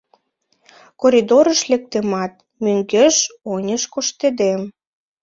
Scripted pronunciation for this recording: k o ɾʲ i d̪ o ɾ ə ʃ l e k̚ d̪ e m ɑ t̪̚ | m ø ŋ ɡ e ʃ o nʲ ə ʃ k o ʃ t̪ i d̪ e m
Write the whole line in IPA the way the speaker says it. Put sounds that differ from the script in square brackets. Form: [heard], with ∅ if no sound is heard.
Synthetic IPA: k o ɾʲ i d̪ o ɾ ə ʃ l e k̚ [t̪] e m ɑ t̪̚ | m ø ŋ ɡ e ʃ o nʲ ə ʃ k o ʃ t̪ [e] d̪ e m

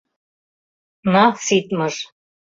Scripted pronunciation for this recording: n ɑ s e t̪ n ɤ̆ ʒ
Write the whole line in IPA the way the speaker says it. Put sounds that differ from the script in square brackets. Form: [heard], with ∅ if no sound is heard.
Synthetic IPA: n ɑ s [i] t̪ [m] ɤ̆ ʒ

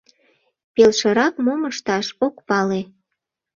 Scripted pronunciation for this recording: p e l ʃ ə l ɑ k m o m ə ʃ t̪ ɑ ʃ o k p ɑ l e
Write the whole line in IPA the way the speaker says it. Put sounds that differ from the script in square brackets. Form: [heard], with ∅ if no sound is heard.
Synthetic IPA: p e l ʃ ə [ɾ] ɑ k m o m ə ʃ t̪ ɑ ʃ o k p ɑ l e

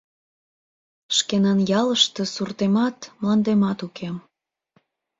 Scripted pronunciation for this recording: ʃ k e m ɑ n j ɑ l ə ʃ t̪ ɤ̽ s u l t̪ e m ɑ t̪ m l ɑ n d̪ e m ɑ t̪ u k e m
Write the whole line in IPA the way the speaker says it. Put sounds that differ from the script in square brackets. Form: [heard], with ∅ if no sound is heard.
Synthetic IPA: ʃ k e [n] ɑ n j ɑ l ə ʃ t̪ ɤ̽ s u [r] t̪ e m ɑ t̪ m l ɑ n d̪ e m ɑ t̪ u k e m

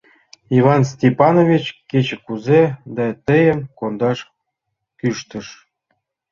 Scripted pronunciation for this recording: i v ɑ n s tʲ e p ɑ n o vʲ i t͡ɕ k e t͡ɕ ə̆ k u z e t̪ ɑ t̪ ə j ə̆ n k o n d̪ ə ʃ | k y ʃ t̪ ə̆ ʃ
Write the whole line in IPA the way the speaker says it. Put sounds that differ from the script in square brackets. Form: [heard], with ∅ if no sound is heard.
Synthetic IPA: i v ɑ n s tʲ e p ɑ n o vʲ i t͡ɕ k e t͡ɕ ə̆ k u z e [d̪] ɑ t̪ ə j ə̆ [m] k o n d̪ [ɑ] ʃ | k y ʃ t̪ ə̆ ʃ

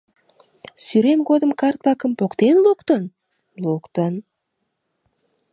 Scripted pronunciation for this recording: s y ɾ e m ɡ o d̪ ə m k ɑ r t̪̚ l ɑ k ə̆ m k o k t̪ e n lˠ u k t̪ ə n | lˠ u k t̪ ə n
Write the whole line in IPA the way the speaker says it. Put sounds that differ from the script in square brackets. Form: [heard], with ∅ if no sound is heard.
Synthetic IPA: s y ɾ e m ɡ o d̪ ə m k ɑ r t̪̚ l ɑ k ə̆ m [p] o k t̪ e n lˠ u k t̪ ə n | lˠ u k t̪ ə n

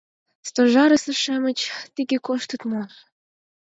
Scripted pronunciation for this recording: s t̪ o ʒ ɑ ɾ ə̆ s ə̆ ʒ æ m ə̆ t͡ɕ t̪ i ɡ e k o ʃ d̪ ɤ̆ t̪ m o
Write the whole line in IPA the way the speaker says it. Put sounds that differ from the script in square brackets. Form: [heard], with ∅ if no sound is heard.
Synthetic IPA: s t̪ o ʒ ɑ ɾ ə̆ s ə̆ [ʃ] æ m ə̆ t͡ɕ t̪ i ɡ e k o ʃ [t̪] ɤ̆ t̪ m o

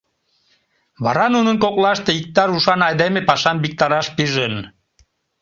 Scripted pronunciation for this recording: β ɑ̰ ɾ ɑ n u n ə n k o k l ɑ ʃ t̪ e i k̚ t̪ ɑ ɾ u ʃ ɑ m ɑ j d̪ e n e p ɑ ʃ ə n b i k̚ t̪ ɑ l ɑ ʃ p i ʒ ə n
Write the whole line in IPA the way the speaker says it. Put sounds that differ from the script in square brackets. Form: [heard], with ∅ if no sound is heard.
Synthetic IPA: β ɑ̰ ɾ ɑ n u n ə n k o k l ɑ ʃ t̪ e i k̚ t̪ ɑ ɾ u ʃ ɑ [n] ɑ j d̪ e [m] e p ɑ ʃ [ɑ] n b i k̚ t̪ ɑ [ɾ] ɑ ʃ p i ʒ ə n

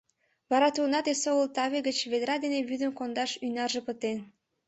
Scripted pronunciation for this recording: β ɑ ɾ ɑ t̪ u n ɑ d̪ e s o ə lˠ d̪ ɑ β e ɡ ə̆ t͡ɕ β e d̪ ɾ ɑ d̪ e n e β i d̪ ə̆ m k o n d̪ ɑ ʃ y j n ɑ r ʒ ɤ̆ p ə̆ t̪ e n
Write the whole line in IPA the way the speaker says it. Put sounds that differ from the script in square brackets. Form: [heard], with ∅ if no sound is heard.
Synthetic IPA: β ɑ ɾ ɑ t̪ u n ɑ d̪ e s o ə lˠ [t̪] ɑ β e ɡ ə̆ t͡ɕ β e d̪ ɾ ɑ d̪ e n e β [y] d̪ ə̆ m k o n d̪ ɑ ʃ y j n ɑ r ʒ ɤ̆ p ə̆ t̪ e n

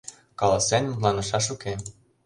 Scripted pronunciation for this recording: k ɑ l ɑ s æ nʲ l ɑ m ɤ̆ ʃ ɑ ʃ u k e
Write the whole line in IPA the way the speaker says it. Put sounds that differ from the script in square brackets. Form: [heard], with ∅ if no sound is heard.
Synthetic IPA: k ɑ l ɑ s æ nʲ l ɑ [n] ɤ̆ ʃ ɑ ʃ u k e

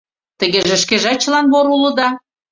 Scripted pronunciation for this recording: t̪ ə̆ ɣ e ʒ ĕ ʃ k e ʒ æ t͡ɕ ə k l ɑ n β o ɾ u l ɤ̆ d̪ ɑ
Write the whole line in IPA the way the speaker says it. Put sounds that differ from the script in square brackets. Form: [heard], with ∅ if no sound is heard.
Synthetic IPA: t̪ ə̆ ɣ e ʒ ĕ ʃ k e ʒ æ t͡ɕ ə [∅] l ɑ n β o ɾ u l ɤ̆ d̪ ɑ

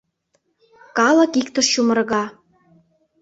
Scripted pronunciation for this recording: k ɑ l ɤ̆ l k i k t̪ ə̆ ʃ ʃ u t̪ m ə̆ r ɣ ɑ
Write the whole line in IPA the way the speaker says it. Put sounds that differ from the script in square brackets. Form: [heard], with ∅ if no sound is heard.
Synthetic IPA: k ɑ l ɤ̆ [∅] k i k t̪ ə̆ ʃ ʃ u [∅] m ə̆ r ɣ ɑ

